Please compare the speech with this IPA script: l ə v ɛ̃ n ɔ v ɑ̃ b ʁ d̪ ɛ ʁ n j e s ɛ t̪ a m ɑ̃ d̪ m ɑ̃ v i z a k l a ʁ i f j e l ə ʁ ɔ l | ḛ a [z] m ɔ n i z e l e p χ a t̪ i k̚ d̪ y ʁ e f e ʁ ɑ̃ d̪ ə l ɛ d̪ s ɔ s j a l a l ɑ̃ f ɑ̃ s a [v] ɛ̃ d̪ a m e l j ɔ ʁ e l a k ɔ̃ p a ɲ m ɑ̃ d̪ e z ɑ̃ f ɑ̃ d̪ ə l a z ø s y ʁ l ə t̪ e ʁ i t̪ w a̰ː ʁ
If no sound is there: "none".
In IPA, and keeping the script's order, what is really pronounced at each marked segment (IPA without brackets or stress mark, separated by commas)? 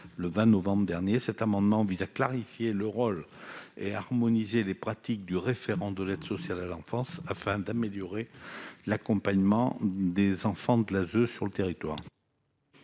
ʁ, f